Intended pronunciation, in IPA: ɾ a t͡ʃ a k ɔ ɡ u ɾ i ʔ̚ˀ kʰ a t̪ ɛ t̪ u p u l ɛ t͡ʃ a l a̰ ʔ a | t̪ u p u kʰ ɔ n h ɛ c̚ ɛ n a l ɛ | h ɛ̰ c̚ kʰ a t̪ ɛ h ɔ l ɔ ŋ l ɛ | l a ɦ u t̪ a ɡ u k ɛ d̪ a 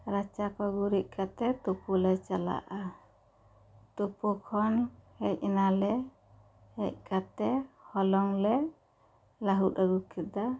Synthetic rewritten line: ɾ a t͡ʃ a k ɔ ɡ u ɾ i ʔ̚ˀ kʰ a t̪ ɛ t̪ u p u l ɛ t͡ʃ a l a̰ ʔ a | t̪ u p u kʰ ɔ n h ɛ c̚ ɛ n a l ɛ | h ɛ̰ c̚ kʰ a t̪ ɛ h ɔ l ɔ ŋ l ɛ | l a ɦ u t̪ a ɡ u k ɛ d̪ a

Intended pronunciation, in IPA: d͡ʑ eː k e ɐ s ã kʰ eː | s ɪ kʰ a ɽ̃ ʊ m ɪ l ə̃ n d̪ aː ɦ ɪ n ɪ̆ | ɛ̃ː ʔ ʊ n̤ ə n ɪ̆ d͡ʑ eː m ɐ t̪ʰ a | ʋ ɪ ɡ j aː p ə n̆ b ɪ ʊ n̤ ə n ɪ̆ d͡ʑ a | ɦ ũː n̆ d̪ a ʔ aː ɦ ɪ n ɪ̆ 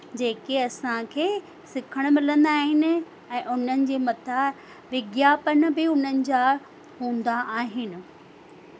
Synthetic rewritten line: d͡ʑ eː k e ɐ s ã kʰ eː | s ɪ kʰ ə ɽ̃ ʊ m ɪ l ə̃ n d̪ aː ɦ ɪ n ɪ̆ | ɛ̃ː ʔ ʊ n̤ ə n ɪ̆ d͡ʑ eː m ɐ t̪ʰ a | ʋ ɪ ɡ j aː p ə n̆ b ɪ ʊ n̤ ə n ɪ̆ d͡ʑ a | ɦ ũː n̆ d̪ a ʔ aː ɦ ɪ n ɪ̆

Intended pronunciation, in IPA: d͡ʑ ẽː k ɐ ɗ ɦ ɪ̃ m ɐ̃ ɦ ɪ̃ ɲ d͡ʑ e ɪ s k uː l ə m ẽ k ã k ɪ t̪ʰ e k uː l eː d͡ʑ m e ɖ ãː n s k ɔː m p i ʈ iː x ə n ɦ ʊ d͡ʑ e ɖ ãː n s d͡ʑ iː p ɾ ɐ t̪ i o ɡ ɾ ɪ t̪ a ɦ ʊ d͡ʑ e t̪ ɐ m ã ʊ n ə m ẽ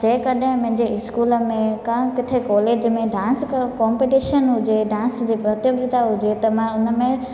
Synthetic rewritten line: d͡ʑ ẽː k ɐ ɗ ɦ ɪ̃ m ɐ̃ ɦ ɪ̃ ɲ d͡ʑ e ɪ s k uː l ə m ẽ k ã k ɪ t̪ʰ e k ɔː l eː d͡ʑ m ẽ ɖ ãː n s k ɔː m p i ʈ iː ʃ ə n ɦ ʊ d͡ʑ e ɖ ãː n s d͡ʑ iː p ɾ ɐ t̪ j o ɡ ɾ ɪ t̪ a ɦ ʊ d͡ʑ e t̪ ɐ m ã ʊ n ə m ẽ

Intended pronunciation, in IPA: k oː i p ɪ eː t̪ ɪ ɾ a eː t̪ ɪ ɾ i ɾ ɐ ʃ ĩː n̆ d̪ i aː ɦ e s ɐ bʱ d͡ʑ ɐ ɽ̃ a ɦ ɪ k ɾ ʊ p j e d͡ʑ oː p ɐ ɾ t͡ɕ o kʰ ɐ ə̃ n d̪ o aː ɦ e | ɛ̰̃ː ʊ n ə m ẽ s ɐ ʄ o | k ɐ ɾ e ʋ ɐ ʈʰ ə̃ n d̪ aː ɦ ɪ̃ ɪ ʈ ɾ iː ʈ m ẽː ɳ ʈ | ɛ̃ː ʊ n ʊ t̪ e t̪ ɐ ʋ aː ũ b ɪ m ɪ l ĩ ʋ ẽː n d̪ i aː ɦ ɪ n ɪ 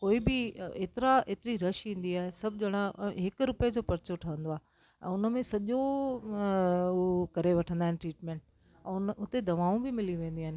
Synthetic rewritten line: k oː i b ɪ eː t̪ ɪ ɾ a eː t̪ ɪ ɾ i ɾ ɐ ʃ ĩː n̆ d̪ i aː ɦ e s ɐ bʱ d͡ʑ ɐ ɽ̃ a ɦ ɪ k ɾ ʊ p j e d͡ʑ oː p ɐ ɾ t͡ɕ o ʈʰ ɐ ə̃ n d̪ o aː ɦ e | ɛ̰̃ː ʊ n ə m ẽ s ɐ ʄ o | k ɐ ɾ e ʋ ɐ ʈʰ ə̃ n d̪ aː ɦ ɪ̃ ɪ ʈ ɾ iː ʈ m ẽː ɳ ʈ | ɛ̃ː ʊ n ʊ t̪ e d̪ ɐ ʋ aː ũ b ɪ m ɪ l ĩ ʋ ẽː n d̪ i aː ɦ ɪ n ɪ

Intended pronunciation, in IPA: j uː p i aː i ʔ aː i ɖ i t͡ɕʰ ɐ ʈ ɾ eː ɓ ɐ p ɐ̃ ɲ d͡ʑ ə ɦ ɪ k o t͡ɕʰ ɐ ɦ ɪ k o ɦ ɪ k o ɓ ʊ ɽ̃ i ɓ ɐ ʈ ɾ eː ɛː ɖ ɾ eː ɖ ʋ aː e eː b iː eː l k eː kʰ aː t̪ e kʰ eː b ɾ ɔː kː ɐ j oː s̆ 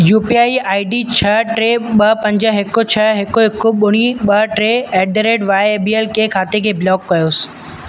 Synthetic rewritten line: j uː p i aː i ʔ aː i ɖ i t͡ɕʰ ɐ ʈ ɾ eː ɓ ɐ p ɐ̃ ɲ d͡ʑ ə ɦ ɪ k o t͡ɕʰ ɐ ɦ ɪ k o ɦ ɪ k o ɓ ʊ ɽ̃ i ɓ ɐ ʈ ɾ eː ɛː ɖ ɾ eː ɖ ʋ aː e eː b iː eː l k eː kʰ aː t̪ e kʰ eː b l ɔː kː ɐ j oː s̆

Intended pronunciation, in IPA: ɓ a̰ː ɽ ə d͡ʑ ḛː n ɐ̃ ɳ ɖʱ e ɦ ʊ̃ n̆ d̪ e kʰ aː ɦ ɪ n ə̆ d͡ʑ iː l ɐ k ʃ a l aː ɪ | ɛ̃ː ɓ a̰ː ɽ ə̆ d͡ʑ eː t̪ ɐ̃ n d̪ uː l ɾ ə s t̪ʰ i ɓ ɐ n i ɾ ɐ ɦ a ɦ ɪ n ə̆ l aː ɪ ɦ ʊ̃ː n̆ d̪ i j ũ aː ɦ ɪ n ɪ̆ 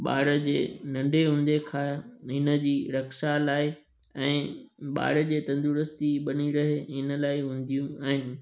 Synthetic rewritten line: ɓ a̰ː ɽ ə d͡ʑ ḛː n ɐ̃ ɳ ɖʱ e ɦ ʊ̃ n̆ d̪ e kʰ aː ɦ ɪ n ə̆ d͡ʑ iː ɾ ɐ k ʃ a l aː ɪ | ɛ̃ː ɓ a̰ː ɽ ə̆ d͡ʑ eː t̪ ɐ̃ n d̪ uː ɾ ə s t̪ i ɓ ɐ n i ɾ ɐ ɦ e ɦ ɪ n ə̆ l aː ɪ ɦ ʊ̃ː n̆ d̪ i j ũ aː ɦ ɪ n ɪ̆

